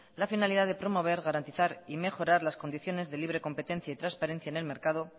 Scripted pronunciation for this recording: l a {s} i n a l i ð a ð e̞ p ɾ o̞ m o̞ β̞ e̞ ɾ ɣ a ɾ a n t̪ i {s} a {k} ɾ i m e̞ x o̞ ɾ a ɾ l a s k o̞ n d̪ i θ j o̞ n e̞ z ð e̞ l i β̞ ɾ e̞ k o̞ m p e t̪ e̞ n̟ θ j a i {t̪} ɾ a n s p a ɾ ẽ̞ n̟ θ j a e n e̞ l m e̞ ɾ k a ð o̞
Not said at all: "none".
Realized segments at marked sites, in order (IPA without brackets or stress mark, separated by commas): f, θ, none, t̪